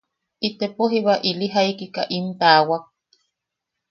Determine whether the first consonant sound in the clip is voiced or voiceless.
voiceless